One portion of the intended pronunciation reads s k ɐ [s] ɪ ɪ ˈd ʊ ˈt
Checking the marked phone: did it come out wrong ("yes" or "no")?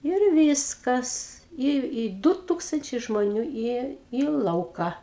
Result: no